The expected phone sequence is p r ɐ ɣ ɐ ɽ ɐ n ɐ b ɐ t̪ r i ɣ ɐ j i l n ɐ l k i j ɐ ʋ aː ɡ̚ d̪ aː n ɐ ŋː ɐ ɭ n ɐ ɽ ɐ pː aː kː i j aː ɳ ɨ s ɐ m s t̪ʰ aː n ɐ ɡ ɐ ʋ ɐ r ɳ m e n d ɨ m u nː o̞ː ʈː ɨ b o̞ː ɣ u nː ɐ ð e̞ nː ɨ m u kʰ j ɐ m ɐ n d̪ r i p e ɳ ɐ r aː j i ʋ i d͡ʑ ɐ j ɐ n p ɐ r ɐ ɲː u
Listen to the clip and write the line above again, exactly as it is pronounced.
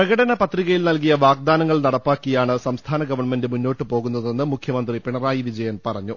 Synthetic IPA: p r ɐ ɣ ɐ ɽ ɐ n ɐ p ɐ t̪ r i ɣ ɐ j i l n ɐ l k i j ɐ ʋ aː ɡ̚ d̪ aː n ɐ ŋː ɐ ɭ n ɐ ɽ ɐ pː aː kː i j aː ɳ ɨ s ɐ m s t̪ʰ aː n ɐ ɡ ɐ ʋ ɐ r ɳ m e n d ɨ m u nː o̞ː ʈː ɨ p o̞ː ɣ u nː ɐ ð e̞ nː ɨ m u kʰ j ɐ m ɐ n d̪ r i p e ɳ ɐ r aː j i ʋ i d͡ʑ ɐ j ɐ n p ɐ r ɐ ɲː u